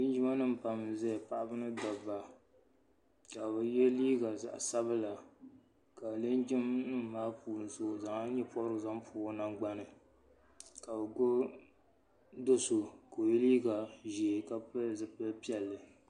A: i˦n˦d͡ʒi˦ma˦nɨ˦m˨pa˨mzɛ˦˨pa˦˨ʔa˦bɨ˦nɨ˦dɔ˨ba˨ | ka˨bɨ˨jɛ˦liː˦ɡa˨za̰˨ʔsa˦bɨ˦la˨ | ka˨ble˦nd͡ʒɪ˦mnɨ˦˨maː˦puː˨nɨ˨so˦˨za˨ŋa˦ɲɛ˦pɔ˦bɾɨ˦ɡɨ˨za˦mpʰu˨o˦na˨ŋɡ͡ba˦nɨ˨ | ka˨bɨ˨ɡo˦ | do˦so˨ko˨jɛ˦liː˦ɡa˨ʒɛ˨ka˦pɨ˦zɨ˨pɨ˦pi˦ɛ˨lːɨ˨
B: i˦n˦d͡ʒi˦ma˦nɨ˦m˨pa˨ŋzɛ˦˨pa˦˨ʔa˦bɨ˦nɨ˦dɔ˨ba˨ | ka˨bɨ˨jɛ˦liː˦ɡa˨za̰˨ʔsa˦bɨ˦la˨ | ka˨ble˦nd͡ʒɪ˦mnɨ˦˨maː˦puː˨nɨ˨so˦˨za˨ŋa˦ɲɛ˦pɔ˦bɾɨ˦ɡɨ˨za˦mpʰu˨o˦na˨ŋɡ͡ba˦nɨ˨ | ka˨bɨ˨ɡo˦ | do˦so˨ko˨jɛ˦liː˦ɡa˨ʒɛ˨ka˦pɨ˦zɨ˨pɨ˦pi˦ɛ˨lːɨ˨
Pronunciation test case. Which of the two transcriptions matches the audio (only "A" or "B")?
A